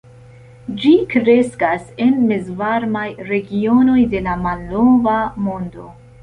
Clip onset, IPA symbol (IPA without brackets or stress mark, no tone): d͡ʒ